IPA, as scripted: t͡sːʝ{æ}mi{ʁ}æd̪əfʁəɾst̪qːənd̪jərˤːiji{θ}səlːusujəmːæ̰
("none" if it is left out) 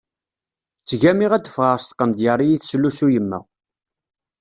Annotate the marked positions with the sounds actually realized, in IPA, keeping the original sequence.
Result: æ, ʁ, θ

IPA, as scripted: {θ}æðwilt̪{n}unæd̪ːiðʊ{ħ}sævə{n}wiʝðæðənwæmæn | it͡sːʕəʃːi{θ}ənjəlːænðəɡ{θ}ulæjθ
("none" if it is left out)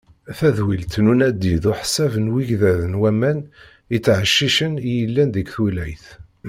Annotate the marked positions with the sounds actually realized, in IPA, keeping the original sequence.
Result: θ, n, ħ, n, ʃ, θ

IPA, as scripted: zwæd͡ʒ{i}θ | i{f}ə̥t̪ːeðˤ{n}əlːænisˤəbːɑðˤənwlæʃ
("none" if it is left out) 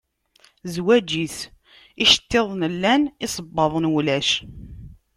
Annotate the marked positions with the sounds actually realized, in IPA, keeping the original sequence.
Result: i, ʃ, n

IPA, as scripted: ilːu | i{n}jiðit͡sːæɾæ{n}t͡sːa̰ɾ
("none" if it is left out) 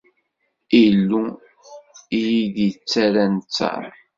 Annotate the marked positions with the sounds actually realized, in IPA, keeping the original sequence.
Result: none, n

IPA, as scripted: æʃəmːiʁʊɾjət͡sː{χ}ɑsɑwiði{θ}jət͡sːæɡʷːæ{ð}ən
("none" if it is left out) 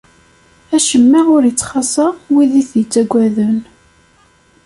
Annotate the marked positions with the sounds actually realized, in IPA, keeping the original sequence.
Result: χ, θ, ð

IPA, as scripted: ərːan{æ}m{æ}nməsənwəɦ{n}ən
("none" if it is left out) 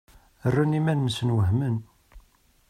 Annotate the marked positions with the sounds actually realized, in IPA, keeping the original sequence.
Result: i, æ, m

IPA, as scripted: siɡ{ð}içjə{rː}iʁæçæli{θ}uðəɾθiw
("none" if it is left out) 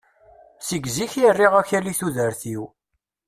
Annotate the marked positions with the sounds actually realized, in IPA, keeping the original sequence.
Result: z, rː, θ

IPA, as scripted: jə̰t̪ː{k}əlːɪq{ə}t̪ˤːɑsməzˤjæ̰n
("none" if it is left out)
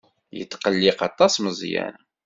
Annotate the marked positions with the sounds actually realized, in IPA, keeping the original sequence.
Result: q, ɑ

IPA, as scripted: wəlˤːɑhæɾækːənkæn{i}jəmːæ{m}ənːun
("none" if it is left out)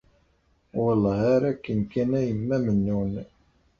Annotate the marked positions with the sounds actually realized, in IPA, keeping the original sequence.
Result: æ, m

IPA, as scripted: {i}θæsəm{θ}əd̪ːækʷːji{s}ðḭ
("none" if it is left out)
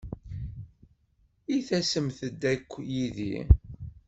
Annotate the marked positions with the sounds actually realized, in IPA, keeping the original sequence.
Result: i, θ, none

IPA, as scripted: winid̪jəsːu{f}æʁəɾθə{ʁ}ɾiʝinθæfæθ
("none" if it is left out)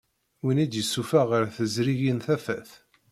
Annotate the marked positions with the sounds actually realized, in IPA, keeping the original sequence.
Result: f, z

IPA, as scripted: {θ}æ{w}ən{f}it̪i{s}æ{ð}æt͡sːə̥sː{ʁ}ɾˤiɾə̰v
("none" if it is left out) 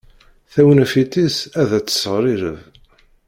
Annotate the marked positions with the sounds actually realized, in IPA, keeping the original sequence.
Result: θ, w, f, s, ð, ʁ

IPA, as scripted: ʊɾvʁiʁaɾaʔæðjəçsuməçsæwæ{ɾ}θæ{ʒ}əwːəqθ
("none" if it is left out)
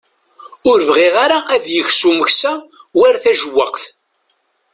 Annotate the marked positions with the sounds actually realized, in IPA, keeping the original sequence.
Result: ɾ, ʒ

